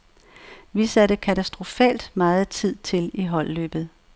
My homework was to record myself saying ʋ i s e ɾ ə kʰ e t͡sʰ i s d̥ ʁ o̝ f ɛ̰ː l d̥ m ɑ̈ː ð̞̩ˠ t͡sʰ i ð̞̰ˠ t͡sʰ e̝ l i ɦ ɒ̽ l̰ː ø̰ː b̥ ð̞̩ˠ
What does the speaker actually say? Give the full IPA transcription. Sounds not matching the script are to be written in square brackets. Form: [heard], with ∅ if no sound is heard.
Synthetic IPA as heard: ʋ i s [æ] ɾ ə kʰ [æ] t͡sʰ [æ] s d̥ ʁ o̝ f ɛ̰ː l d̥ m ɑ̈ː ð̞̩ˠ t͡sʰ i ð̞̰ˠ t͡sʰ e̝ l i ɦ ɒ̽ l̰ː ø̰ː b̥ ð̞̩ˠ